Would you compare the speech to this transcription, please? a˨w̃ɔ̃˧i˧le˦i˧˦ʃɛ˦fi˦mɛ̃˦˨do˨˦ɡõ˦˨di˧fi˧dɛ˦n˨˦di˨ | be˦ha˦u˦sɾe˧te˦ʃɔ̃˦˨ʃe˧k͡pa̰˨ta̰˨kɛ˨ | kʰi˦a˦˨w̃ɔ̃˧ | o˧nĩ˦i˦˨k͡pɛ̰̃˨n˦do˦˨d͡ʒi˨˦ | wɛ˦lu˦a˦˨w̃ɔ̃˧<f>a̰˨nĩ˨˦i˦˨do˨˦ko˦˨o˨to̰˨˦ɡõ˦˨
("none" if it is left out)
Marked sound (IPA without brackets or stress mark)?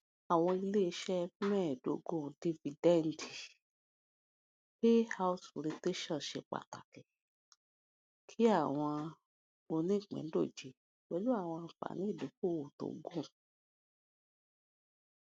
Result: f